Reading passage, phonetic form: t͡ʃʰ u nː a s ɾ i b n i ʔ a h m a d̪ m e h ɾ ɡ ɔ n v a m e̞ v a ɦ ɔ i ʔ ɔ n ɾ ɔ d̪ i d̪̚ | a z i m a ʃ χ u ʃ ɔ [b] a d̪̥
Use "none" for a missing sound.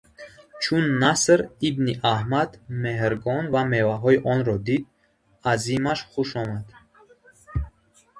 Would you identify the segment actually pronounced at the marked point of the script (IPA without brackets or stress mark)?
m